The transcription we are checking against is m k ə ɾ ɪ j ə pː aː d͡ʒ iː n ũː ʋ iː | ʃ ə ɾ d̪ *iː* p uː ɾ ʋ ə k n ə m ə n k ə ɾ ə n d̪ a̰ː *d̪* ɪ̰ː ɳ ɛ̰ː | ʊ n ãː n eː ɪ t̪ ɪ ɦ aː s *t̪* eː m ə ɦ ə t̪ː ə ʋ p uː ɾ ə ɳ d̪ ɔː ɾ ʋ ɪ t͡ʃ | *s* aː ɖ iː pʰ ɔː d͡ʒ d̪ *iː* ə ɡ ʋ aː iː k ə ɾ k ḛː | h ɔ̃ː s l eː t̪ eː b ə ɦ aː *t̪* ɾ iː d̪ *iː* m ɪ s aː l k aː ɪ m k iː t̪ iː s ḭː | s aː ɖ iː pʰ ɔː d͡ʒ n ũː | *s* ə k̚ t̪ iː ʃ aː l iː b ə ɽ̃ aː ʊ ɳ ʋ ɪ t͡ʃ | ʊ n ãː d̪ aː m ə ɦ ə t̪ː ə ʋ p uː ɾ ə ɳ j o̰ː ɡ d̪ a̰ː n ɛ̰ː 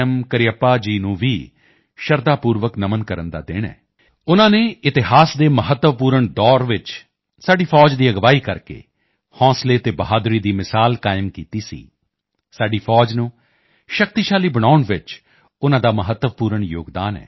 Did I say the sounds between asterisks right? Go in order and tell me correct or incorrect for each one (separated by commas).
incorrect, correct, incorrect, correct, correct, incorrect, correct, incorrect